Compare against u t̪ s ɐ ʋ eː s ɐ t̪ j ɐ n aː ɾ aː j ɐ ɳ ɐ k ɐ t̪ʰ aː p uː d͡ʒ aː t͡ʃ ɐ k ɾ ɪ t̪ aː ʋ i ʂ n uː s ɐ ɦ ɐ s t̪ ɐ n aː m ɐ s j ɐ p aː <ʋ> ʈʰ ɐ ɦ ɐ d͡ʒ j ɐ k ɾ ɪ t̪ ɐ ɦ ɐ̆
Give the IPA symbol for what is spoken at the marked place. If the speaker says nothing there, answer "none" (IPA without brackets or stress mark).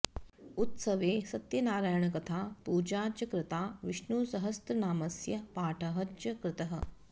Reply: none